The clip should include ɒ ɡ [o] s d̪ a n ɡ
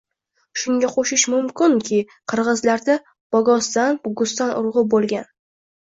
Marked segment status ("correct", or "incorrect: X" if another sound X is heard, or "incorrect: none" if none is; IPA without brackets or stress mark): incorrect: ɒ